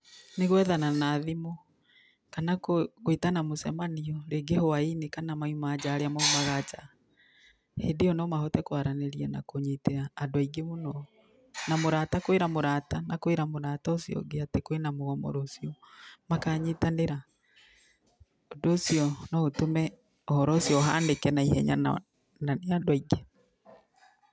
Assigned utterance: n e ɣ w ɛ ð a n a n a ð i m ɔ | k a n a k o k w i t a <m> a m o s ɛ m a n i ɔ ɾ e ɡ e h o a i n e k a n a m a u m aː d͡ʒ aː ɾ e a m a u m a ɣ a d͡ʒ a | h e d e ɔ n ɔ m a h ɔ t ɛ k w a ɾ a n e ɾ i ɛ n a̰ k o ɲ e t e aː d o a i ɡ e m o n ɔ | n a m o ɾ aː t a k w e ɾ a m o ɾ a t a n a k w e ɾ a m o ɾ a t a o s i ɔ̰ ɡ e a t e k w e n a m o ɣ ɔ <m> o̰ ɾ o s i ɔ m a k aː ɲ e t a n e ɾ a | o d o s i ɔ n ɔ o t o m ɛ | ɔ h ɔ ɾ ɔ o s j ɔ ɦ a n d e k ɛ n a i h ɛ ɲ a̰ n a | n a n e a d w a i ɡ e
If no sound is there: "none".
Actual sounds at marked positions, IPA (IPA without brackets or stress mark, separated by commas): n, m